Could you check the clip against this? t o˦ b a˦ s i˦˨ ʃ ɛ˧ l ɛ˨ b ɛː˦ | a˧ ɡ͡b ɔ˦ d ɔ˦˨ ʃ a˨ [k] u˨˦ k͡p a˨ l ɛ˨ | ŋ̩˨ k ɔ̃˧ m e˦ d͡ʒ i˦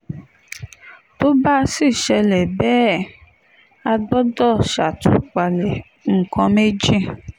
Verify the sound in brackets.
incorrect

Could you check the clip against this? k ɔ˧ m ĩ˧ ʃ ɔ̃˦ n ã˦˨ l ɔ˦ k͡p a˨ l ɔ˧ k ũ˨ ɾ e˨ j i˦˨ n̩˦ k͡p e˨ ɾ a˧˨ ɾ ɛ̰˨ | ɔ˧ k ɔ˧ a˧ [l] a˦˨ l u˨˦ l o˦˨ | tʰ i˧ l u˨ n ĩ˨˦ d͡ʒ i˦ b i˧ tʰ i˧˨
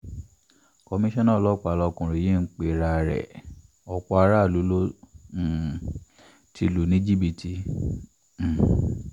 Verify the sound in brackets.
incorrect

